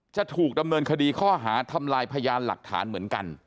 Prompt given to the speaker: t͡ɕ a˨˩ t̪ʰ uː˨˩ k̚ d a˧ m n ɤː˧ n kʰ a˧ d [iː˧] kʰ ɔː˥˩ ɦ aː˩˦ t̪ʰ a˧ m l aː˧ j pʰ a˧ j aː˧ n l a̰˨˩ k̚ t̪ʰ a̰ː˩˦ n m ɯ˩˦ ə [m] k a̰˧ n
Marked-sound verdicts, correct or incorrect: correct, incorrect: n

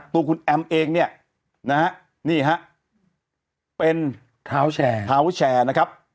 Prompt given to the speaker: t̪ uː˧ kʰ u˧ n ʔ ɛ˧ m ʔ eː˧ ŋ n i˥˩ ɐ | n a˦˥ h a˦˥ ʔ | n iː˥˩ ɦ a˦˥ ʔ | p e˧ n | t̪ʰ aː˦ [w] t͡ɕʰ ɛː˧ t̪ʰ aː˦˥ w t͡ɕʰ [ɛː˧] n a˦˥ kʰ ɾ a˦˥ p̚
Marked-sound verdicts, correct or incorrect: correct, correct

